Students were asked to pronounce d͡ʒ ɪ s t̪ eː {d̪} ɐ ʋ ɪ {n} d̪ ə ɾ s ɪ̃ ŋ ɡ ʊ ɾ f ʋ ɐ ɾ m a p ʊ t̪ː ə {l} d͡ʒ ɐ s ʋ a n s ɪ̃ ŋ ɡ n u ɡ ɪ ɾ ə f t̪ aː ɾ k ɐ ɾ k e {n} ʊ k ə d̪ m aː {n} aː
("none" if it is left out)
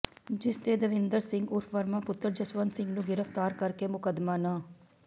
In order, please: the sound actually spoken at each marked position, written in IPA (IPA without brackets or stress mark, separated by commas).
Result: d̪, n, ɾ, m, n